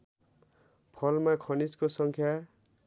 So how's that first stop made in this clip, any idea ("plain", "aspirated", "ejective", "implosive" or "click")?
aspirated